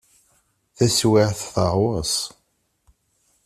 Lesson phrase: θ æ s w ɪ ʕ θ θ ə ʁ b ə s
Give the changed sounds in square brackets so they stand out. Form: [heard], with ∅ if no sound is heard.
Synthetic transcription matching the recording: θ æ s w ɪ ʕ θ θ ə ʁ [w] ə s